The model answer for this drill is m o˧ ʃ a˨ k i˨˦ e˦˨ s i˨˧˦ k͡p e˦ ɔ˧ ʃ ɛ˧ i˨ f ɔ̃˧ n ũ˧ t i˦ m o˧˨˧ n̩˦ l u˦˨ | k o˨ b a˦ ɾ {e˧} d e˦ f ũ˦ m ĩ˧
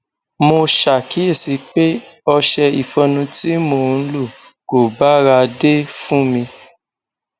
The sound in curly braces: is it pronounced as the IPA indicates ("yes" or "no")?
no